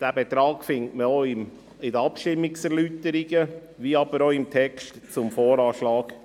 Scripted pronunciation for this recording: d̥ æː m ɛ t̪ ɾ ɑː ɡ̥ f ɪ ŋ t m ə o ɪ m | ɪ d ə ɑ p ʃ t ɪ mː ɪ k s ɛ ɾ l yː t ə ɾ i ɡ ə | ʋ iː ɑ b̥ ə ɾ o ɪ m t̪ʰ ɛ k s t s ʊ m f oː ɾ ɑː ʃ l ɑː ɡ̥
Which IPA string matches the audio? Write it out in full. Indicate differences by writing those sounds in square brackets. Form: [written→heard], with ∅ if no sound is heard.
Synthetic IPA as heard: d̥ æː [m→b] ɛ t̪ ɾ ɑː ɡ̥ f ɪ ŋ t m ə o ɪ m | ɪ d ə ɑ p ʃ t ɪ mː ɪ k s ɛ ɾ l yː t ə ɾ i ɡ ə | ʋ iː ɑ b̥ ə ɾ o ɪ m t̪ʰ ɛ k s t [s→t͡s] ʊ m f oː ɾ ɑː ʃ l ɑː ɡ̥